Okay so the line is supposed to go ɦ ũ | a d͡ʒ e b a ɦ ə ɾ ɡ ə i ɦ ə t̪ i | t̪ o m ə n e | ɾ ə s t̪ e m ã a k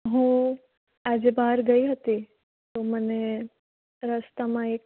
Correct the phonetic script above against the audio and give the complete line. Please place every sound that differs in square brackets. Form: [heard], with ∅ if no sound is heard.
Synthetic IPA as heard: ɦ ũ | a d͡ʒ e b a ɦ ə ɾ ɡ ə i ɦ ə t̪ i | t̪ o m ə n e | ɾ ə s t̪ [a] m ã [e] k